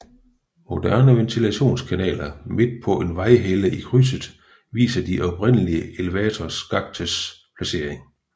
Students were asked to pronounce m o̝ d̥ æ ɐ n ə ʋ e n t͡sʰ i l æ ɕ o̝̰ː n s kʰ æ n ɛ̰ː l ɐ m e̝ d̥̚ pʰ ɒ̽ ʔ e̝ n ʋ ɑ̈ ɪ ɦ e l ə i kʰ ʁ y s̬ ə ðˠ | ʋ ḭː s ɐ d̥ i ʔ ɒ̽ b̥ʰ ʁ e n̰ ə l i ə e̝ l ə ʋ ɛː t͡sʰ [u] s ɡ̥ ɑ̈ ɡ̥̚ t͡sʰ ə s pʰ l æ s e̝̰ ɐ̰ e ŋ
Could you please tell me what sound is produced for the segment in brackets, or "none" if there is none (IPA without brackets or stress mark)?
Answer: ɒ